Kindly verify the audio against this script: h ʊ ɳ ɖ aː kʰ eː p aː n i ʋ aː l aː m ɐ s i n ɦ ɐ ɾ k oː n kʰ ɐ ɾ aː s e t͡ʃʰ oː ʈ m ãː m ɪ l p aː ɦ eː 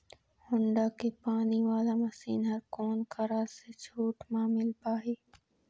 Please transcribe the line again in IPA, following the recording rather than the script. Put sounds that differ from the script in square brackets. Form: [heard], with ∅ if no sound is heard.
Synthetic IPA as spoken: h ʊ ɳ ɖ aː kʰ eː p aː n i ʋ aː l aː m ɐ s [iː] n ɦ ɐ ɾ k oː n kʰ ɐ ɾ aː s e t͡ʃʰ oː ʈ m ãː m ɪ l p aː ɦ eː